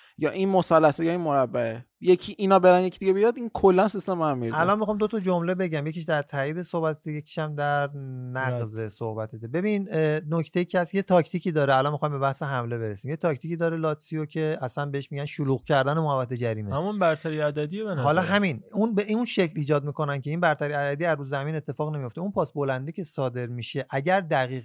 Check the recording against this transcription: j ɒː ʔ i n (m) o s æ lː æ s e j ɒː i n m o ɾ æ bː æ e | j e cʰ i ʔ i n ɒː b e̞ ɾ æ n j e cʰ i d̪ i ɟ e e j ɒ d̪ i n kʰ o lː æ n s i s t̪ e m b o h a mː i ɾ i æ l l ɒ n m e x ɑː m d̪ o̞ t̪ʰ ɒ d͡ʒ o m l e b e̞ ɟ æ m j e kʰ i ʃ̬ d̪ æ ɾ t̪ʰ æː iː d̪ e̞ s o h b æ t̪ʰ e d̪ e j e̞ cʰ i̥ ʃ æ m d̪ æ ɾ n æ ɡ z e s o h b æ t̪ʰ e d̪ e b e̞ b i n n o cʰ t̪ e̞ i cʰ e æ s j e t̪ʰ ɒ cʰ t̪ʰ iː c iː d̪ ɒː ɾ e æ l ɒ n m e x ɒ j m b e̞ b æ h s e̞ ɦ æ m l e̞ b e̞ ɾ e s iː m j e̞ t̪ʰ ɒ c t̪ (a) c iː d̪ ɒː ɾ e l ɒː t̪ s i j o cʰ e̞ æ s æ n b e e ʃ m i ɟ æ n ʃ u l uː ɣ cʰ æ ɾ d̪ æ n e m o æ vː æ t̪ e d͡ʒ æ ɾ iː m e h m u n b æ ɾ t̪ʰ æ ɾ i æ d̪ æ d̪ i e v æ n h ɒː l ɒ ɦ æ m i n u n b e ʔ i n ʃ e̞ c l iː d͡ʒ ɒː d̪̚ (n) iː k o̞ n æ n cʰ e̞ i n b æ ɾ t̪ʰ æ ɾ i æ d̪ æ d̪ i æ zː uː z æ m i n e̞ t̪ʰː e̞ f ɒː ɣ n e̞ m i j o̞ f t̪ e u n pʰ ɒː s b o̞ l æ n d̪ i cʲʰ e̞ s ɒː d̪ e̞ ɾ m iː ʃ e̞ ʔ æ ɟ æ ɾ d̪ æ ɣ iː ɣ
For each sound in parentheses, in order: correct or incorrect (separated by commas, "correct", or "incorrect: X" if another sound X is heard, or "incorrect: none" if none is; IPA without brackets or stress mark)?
correct, incorrect: i, incorrect: m